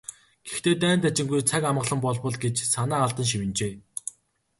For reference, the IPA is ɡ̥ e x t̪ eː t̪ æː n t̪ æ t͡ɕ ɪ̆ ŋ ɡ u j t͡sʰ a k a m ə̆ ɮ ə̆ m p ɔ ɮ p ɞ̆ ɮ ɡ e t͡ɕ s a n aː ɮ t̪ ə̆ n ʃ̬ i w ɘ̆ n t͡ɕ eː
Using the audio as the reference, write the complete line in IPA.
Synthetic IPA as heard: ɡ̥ e x t̪ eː t̪ æː n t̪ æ t͡ɕ ɪ̆ ŋ ɡ u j t͡sʰ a k a m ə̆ ɮ ə̆ m p ɔ ɮ p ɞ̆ ɮ ɡ e t͡ɕ s a n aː ɮ t̪ ə̆ n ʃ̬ i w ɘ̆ n t͡ɕ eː